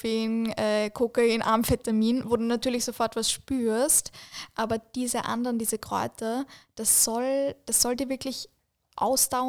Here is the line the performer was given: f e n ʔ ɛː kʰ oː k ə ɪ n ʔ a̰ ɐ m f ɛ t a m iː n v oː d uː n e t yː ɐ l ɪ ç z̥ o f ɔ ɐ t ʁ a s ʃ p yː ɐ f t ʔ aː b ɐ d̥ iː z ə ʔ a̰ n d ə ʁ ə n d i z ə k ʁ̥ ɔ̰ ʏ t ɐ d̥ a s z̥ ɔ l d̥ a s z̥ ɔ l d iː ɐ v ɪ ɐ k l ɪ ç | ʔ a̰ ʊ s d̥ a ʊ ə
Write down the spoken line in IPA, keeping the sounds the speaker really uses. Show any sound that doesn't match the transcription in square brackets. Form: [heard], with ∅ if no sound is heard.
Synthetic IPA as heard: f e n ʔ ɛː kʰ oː k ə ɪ n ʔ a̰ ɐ m f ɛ t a m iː n v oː d uː n [a] t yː ɐ l ɪ ç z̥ o f ɔ ɐ t [v] a s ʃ p yː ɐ [s] t ʔ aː b ɐ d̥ iː z ə ʔ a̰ n d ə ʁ ə n d [iː] z ə k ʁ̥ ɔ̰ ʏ t ɐ d̥ a s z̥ ɔ l d̥ a s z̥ ɔ l d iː ɐ v ɪ ɐ k l ɪ ç | ʔ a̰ ʊ s d̥ a ʊ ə